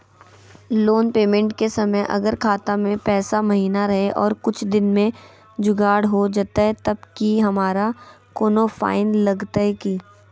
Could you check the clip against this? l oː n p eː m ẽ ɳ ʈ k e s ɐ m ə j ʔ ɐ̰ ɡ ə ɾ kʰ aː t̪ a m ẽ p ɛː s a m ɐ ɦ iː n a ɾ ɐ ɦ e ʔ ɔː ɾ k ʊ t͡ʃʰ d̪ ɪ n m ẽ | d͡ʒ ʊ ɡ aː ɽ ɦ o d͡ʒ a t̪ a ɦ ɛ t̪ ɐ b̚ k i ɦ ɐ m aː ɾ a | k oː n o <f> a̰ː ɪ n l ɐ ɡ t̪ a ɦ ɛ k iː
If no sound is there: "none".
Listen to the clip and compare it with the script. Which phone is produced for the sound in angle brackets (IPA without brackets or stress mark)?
f